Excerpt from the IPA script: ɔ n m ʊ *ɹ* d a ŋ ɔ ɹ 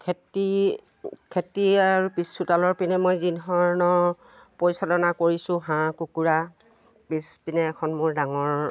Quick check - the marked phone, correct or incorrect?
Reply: correct